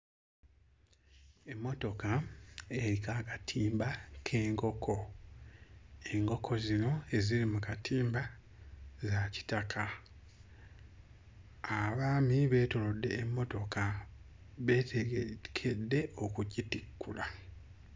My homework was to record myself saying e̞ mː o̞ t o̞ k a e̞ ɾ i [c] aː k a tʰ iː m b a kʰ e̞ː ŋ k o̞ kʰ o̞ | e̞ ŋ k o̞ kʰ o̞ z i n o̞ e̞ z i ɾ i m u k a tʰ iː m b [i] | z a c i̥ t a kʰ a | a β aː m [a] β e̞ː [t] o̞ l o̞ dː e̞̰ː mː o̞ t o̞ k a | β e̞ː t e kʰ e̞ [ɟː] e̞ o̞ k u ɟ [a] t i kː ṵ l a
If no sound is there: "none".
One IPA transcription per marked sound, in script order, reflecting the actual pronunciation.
k, a, i, t, dː, i

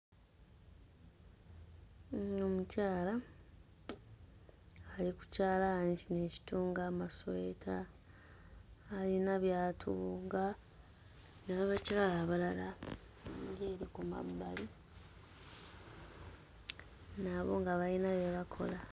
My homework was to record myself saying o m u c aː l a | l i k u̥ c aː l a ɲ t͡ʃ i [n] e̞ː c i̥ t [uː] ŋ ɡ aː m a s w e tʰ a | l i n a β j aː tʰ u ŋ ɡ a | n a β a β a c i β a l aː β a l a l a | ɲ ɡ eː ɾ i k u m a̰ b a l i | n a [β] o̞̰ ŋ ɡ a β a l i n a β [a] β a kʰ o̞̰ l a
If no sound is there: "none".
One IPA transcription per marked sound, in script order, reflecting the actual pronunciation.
n, uː, β, e

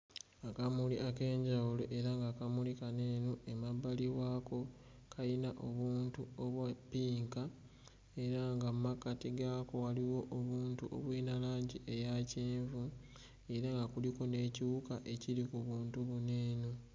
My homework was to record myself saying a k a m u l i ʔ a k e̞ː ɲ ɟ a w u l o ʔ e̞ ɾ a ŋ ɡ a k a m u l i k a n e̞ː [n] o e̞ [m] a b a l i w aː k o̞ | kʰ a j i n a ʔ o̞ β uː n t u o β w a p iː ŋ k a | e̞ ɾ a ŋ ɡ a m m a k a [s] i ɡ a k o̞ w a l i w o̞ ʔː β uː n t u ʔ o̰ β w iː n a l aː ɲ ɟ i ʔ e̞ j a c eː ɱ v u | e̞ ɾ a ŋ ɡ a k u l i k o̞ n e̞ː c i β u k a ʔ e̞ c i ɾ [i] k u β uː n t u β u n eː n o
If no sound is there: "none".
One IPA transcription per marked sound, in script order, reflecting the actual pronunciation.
n, m, t, i

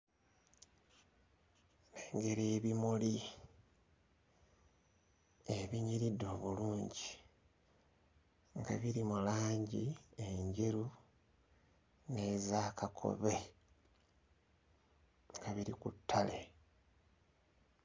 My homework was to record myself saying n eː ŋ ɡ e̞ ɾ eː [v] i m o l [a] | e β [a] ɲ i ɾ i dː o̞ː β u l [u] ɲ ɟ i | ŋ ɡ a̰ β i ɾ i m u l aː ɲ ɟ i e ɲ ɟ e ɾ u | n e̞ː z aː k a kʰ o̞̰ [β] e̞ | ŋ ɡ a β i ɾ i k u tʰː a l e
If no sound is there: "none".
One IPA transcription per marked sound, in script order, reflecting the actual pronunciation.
β, i, i, uː, β

